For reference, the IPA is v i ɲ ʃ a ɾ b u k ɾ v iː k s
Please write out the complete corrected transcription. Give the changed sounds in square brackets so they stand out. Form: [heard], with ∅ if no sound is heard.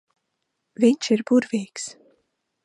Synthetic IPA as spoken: v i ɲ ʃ [i] ɾ b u [∅] ɾ v iː k s